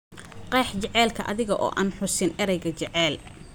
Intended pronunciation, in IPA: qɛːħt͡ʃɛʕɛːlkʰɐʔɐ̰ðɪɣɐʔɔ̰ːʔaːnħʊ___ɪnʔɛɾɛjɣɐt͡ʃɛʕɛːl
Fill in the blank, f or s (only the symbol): s